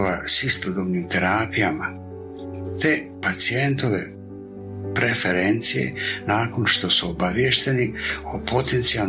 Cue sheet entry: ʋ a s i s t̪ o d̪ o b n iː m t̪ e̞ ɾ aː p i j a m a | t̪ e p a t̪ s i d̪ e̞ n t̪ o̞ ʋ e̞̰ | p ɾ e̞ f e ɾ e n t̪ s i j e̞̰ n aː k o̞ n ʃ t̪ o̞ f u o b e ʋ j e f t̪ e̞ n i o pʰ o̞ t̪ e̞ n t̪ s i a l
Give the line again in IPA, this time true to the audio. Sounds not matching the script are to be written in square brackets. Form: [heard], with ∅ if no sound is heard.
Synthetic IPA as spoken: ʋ a s i s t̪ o d̪ o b n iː m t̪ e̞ ɾ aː p i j a m a | t̪ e p a t̪ s i [∅] e̞ n t̪ o̞ ʋ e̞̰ | p ɾ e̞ f e ɾ e n t̪ s i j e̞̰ n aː k o̞ n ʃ t̪ o̞ [s] u o b [a] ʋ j e [ʃ] t̪ e̞ n i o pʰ o̞ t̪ e̞ n t̪ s i a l